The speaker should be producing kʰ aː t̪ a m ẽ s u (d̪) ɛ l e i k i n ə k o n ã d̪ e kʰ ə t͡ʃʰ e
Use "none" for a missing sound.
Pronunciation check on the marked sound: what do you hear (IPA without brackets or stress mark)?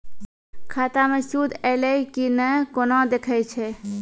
d̪